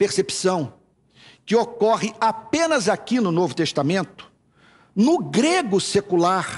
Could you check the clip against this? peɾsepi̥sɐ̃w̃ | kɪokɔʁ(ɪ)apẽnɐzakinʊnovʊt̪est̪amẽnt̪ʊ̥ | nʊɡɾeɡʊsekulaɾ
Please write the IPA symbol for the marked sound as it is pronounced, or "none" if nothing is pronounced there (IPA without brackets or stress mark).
ɪ